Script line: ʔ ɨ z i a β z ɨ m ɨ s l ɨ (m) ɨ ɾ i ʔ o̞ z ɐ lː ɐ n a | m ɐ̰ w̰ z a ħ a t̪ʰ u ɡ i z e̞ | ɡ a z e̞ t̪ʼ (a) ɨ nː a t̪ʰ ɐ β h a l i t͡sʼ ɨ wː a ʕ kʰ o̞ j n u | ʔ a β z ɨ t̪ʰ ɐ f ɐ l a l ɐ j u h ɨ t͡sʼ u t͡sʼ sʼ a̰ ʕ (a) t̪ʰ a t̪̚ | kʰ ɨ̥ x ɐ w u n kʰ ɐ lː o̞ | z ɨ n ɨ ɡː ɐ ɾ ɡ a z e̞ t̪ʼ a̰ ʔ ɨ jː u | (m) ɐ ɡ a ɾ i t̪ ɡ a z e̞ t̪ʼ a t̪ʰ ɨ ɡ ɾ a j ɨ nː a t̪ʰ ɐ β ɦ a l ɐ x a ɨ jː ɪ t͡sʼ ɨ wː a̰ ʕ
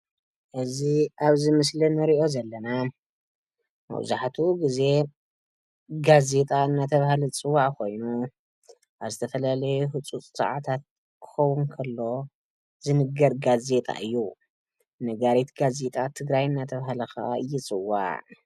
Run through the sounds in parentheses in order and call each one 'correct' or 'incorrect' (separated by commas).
incorrect, correct, correct, incorrect